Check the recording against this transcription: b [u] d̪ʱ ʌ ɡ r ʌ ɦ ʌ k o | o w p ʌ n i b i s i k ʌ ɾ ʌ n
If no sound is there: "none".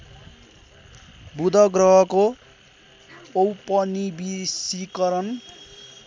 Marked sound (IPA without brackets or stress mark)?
u